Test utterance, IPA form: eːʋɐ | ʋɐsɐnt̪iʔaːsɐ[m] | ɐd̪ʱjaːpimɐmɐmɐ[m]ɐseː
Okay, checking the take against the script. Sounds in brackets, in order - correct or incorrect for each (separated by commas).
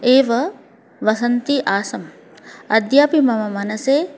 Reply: correct, incorrect